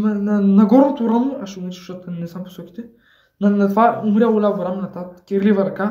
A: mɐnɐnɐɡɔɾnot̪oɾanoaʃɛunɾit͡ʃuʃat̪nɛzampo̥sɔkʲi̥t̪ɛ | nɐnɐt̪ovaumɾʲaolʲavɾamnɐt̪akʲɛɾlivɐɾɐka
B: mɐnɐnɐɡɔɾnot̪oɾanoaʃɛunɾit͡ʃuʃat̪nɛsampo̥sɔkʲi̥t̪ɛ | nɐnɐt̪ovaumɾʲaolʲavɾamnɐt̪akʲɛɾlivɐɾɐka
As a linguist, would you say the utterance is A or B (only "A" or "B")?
A